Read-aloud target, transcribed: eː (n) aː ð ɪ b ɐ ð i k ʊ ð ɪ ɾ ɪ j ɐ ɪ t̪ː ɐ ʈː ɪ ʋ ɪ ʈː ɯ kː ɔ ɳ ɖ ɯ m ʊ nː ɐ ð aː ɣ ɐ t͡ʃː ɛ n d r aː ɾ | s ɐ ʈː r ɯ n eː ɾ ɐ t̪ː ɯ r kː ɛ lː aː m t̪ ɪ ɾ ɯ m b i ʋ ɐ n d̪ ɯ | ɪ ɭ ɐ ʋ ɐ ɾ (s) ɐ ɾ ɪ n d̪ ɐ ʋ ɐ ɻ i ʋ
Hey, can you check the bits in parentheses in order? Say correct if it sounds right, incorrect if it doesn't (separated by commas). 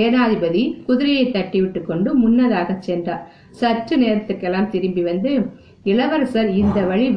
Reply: correct, correct